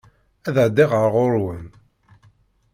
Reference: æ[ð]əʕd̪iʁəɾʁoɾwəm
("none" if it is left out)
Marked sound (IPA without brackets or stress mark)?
ð